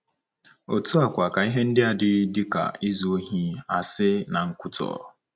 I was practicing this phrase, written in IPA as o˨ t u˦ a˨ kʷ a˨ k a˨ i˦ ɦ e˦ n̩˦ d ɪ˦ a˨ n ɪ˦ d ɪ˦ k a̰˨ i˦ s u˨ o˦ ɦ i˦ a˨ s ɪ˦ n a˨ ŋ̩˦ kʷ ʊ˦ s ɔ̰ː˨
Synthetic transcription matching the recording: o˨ t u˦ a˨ kʷ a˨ k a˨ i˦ ɦ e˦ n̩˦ d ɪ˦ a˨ d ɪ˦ d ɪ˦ k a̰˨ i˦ z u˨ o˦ ɦ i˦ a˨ s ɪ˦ n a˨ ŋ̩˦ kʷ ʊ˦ t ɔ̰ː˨